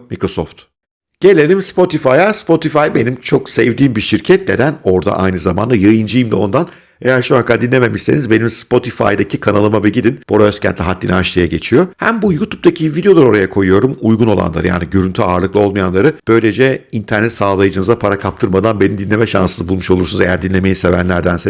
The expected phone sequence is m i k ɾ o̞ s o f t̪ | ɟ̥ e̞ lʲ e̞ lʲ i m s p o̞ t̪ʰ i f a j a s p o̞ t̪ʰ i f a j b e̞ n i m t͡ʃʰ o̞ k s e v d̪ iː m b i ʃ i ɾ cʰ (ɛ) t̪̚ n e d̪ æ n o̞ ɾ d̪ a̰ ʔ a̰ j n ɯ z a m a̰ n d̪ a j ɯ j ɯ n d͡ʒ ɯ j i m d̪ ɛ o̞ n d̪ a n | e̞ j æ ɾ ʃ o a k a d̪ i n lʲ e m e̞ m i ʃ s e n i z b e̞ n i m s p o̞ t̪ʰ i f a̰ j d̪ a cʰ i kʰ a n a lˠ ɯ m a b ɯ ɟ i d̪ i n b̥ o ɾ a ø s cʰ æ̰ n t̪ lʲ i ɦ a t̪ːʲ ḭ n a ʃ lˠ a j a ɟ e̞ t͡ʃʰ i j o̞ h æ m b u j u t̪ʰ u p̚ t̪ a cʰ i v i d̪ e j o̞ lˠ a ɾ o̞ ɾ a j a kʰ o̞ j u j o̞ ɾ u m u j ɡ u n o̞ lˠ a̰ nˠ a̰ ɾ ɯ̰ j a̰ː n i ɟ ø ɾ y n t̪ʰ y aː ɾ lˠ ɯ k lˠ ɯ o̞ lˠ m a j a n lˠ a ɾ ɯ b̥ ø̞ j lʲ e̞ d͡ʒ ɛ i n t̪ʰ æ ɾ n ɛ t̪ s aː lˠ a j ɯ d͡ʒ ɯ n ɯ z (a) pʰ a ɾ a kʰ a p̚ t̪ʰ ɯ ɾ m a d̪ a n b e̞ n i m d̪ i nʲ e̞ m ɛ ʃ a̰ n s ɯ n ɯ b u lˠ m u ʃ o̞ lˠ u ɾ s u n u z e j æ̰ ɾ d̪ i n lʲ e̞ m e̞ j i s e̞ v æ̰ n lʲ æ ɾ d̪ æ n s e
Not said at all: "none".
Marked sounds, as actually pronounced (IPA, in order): ɛ, a

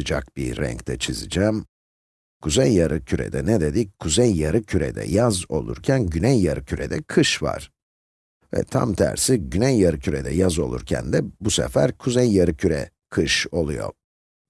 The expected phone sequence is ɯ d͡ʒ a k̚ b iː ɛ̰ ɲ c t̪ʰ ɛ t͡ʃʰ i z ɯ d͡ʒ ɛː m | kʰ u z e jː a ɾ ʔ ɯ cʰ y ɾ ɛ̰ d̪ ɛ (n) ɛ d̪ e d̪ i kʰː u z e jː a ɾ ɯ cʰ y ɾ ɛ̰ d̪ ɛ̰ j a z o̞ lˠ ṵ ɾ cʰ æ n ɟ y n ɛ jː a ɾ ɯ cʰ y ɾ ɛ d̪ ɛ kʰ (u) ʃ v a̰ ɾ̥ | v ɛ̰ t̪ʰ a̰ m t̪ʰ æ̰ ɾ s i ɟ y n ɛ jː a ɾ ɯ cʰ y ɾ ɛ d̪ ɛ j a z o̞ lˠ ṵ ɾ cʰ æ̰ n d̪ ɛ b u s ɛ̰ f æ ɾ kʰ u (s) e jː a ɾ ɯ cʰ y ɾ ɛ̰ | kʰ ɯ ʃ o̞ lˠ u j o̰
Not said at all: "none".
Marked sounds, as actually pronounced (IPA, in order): n, ɯ, z

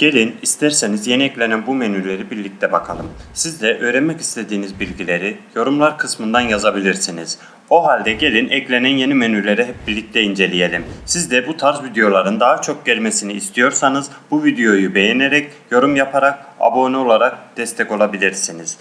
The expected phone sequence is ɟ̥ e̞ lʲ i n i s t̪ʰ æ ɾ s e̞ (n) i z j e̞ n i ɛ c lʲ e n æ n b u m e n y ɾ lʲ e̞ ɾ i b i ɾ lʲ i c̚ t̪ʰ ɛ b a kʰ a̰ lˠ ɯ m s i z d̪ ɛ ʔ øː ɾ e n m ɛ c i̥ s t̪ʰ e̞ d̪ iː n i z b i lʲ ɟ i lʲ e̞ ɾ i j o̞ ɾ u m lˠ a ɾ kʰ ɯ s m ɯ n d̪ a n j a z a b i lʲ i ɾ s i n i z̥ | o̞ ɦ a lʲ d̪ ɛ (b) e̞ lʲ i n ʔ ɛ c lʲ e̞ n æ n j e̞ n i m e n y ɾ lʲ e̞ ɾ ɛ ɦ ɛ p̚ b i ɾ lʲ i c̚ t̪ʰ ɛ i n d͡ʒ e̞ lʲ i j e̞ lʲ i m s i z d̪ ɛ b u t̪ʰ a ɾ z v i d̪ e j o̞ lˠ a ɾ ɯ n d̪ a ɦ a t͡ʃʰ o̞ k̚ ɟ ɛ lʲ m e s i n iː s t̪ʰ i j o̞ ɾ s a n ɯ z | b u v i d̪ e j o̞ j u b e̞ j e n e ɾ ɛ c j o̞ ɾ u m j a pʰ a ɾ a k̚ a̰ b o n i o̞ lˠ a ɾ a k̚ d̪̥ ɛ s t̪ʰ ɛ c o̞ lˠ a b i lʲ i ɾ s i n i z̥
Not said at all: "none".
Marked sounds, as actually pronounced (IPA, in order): n, ɟ

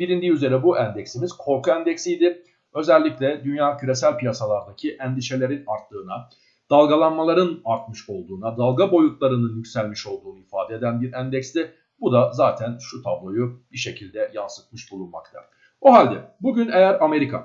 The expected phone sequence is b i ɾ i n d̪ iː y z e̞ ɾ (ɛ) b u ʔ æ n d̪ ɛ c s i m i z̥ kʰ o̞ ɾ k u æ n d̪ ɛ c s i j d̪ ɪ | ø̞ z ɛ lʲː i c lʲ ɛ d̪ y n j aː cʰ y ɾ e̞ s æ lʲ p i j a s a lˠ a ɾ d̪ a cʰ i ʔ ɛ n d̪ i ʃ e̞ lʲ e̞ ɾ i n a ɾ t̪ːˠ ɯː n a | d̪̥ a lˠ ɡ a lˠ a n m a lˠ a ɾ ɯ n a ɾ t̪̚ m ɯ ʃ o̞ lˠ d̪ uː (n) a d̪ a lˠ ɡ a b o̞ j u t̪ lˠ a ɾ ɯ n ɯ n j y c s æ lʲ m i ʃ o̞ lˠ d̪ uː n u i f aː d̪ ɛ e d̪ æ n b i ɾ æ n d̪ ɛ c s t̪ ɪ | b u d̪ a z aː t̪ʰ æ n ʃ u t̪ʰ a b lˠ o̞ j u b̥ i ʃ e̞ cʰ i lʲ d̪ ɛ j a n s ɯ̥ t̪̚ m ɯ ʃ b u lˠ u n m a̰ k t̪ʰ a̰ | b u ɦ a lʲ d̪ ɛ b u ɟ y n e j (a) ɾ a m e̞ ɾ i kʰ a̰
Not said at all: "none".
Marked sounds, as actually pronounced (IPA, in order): ɛ, n, æ

